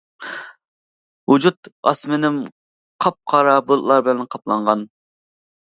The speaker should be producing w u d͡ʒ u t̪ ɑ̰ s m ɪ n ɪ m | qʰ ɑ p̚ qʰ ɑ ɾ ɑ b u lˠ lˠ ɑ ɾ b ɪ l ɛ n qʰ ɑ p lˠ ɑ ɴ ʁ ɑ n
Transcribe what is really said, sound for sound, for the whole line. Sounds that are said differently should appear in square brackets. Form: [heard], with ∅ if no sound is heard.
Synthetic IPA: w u d͡ʒ u t̪ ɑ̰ s m ɪ n ɪ m | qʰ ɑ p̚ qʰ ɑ ɾ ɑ b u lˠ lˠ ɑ ɾ b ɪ l ɛ n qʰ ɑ p lˠ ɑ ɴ ʁ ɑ n